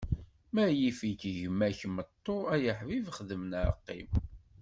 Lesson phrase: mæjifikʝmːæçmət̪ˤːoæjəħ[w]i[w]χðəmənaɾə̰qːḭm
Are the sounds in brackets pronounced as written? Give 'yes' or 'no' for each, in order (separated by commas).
no, no